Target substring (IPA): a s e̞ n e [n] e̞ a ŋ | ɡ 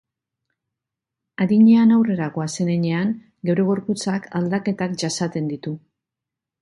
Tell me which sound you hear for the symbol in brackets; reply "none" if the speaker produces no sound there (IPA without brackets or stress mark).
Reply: ɲ